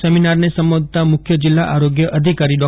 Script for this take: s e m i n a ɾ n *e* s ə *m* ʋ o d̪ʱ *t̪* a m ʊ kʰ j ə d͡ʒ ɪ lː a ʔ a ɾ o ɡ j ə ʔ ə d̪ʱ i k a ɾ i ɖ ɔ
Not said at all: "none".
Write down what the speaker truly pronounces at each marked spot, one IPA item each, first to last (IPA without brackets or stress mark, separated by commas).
e, m, t̪